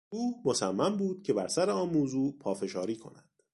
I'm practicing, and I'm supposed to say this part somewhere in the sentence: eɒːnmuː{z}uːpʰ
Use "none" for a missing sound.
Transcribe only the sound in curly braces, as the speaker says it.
z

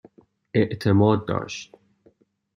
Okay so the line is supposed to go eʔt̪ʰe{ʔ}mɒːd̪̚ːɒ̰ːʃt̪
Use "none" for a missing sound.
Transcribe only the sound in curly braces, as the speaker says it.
none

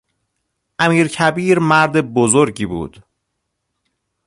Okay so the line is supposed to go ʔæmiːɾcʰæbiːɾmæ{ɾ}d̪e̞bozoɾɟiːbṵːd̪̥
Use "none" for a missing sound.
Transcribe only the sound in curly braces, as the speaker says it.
ɾ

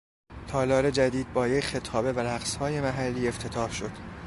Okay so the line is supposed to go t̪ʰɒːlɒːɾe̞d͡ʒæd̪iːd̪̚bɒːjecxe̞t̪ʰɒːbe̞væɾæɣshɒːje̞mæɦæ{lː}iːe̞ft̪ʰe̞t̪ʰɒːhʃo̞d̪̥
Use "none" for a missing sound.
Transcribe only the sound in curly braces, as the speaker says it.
lː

